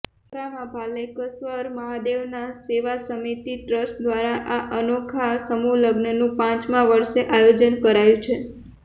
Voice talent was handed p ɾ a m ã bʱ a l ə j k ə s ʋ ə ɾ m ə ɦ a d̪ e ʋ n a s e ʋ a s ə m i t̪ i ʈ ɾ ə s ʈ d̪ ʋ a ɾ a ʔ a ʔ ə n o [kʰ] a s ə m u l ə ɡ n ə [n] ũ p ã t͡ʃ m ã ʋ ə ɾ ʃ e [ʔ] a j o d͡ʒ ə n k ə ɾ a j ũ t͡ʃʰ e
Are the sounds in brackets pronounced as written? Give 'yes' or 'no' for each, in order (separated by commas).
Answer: yes, yes, yes